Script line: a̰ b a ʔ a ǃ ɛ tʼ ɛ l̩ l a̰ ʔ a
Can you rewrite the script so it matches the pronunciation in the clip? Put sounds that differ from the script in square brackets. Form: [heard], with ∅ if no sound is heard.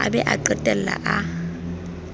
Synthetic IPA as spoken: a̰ b [ɛ] ʔ a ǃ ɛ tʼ ɛ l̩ l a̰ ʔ a